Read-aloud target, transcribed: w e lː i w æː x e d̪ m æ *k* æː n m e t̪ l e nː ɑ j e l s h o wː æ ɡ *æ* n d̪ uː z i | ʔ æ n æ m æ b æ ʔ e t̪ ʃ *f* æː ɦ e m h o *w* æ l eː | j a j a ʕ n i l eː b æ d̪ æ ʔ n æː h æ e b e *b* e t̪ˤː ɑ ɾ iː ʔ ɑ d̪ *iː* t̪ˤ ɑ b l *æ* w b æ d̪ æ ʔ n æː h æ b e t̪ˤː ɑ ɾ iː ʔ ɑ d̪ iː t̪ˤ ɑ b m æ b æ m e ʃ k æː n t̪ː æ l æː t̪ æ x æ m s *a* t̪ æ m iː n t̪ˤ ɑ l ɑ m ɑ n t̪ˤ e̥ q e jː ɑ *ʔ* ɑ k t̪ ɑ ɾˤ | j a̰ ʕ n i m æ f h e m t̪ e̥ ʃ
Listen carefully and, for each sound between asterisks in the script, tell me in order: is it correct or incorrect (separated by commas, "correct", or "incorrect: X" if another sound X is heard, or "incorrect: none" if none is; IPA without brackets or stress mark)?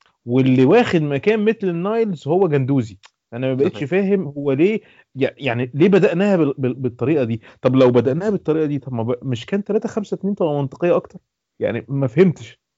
correct, correct, correct, incorrect: wː, correct, correct, correct, incorrect: æ, correct